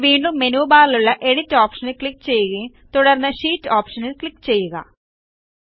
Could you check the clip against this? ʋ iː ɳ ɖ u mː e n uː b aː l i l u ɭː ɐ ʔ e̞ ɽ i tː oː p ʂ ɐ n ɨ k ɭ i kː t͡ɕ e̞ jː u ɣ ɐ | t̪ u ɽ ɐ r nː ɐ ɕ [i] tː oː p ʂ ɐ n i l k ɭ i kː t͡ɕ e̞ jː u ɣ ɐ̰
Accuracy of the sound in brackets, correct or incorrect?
incorrect